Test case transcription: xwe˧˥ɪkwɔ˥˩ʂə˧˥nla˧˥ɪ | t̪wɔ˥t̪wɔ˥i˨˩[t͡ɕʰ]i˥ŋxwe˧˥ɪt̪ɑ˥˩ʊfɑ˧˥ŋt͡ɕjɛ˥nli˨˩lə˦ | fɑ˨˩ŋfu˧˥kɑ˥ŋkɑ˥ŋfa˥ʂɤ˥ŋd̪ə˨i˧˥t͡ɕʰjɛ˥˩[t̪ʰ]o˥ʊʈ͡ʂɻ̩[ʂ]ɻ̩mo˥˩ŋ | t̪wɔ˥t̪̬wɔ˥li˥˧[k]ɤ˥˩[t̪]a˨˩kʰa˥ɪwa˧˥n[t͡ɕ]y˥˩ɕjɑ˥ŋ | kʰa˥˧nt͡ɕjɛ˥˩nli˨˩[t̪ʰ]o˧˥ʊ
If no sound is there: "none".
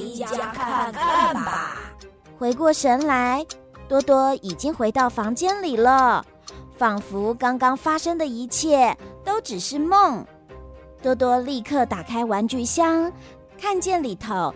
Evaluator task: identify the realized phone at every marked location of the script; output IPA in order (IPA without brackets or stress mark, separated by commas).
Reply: t͡ɕ, t̪, ʂ, kʰ, t̪, t͡ɕ, t̪ʰ